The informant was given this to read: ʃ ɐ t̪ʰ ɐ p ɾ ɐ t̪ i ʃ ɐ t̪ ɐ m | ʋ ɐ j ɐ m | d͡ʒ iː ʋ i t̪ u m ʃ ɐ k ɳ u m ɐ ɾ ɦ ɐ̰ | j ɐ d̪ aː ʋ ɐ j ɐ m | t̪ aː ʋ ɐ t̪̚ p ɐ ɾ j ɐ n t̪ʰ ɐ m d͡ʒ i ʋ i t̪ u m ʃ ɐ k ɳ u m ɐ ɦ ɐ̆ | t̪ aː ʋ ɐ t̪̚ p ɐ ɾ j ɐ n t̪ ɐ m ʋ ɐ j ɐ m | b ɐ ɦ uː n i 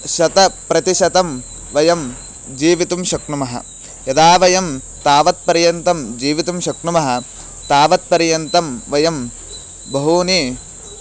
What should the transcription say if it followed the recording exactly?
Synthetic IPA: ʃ ɐ t̪ ɐ p ɾ ɐ t̪ i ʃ ɐ t̪ ɐ m | ʋ ɐ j ɐ m | d͡ʒ iː ʋ i t̪ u m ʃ ɐ k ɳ u m ɐ ɦ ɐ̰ | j ɐ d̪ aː ʋ ɐ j ɐ m | t̪ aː ʋ ɐ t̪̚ p ɐ ɾ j ɐ n t̪ ɐ m d͡ʒ iː ʋ i t̪ u m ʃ ɐ k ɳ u m ɐ ɦ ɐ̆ | t̪ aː ʋ ɐ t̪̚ p ɐ ɾ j ɐ n t̪ ɐ m ʋ ɐ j ɐ m | b ɐ ɦ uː n i